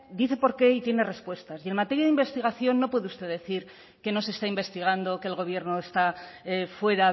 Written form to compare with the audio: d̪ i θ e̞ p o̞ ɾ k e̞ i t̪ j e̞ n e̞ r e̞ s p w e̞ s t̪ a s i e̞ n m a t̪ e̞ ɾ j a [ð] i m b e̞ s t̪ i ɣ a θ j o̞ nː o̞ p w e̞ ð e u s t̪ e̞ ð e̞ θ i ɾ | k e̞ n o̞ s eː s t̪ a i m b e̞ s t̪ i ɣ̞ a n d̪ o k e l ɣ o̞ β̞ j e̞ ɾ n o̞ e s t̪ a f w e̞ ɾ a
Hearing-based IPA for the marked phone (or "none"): ð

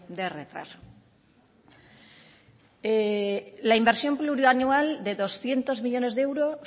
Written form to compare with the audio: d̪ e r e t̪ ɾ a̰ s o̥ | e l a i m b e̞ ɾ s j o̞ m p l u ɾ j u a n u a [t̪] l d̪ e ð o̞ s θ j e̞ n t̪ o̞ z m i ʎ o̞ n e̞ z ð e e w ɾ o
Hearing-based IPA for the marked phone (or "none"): none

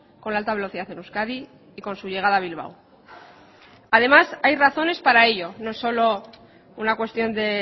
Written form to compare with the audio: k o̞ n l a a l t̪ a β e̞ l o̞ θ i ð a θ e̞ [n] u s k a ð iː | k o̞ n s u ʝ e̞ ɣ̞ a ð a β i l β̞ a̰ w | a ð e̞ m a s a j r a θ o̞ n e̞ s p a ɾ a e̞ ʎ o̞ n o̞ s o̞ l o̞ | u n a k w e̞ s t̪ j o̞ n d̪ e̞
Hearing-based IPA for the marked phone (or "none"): n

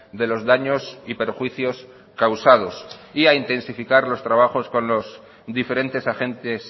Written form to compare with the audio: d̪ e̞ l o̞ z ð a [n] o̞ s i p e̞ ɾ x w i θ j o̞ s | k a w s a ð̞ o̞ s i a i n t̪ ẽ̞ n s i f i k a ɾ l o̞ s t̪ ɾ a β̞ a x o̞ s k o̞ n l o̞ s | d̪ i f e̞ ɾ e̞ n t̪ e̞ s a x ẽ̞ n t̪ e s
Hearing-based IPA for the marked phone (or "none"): ɲ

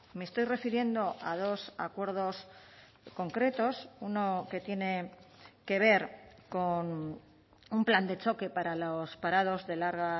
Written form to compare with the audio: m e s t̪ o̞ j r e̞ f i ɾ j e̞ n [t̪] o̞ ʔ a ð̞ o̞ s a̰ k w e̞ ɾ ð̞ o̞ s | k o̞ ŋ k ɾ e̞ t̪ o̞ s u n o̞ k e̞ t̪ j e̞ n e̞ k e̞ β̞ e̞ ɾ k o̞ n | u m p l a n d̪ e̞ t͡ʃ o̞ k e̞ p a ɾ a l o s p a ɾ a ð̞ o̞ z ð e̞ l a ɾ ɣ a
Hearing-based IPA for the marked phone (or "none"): d̪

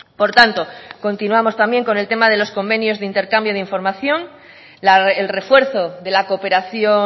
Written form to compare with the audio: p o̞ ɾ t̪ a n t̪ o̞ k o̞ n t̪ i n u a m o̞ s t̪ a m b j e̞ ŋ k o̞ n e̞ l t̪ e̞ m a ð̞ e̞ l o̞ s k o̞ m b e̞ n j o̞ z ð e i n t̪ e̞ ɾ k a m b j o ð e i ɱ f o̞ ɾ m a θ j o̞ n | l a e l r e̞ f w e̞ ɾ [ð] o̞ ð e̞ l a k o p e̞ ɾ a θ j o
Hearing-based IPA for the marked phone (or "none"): θ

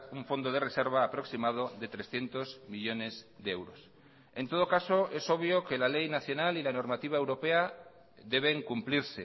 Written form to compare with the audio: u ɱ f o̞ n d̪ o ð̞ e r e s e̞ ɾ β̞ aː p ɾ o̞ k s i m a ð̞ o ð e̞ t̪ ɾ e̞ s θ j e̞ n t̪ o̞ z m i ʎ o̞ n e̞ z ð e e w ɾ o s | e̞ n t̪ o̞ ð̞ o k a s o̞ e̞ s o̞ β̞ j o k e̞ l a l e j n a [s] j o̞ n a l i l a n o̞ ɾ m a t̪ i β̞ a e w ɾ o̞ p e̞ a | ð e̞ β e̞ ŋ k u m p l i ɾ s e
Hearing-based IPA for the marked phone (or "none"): θ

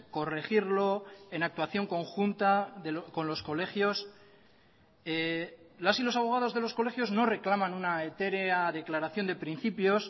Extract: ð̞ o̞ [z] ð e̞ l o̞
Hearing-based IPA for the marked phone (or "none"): z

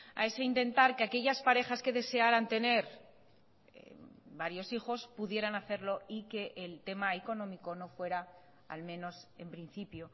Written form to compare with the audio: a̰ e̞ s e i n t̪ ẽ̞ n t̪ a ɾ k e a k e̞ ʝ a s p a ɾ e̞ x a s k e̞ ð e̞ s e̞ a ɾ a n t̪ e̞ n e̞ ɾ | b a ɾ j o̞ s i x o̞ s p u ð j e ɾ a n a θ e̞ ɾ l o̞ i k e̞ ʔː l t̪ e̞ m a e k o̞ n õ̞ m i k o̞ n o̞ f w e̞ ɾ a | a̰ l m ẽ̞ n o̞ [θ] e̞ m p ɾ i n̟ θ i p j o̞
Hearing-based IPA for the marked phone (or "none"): s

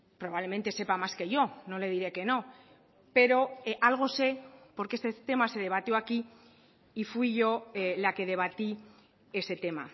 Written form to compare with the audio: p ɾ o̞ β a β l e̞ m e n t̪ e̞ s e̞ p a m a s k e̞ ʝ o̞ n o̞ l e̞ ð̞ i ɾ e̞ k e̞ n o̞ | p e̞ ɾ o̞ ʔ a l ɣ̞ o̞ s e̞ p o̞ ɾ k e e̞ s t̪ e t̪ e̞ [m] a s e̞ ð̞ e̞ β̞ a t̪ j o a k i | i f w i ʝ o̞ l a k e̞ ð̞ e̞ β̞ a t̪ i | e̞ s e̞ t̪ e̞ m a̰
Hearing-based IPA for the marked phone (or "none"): m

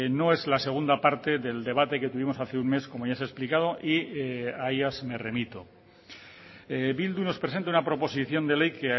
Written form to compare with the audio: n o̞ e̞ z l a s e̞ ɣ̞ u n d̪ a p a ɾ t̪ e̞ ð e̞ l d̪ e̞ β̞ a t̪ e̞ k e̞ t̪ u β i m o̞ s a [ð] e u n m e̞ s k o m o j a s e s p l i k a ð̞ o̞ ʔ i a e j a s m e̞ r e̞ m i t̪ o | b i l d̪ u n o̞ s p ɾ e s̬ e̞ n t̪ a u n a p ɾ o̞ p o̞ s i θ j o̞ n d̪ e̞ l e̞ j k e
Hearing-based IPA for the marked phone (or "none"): θ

